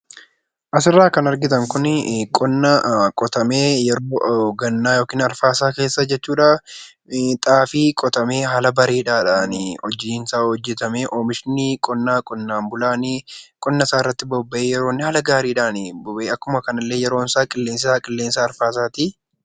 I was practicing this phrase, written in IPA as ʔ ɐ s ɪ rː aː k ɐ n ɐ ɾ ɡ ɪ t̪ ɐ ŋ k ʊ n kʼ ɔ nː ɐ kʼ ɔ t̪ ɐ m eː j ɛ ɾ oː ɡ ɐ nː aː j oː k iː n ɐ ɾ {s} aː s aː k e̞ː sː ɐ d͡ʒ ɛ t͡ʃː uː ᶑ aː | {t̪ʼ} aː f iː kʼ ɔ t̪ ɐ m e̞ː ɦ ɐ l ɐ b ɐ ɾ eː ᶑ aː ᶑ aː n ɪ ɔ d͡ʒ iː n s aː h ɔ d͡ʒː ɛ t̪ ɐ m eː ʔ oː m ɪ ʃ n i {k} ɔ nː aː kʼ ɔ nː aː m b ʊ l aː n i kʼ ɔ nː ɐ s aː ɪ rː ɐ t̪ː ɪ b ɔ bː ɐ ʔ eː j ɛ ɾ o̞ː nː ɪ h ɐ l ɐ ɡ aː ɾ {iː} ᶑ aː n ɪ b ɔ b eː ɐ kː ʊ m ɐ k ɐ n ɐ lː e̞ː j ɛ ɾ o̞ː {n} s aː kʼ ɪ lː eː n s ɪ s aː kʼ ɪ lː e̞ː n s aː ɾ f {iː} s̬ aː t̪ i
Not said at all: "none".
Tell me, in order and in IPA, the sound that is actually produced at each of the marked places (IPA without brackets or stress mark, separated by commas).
f, t̪ʼ, kʼ, iː, n, aː